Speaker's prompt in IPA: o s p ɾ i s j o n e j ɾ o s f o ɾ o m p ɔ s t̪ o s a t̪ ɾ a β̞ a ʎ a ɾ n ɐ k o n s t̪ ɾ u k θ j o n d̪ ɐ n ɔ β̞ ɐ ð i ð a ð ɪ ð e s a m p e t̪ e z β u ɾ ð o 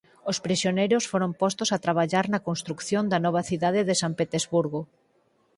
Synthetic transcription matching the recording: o s p ɾ i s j o n e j ɾ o s f o ɾ o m p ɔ s t̪ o s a t̪ ɾ a β̞ a ʎ a ɾ n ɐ k o n s t̪ ɾ u k θ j o n d̪ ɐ n ɔ β̞ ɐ θ i ð a ð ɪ ð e s a m p e t̪ e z β u ɾ ɣ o